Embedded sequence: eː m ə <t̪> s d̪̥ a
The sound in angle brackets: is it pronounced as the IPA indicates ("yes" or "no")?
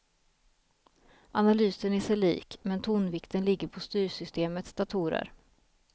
yes